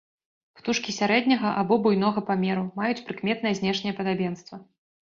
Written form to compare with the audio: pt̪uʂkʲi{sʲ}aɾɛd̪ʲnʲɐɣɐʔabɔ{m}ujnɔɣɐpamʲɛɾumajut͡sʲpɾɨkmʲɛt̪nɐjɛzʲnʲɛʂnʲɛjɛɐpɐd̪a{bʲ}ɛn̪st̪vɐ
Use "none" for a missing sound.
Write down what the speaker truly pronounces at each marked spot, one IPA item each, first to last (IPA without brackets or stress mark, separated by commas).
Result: sʲ, b, bʲ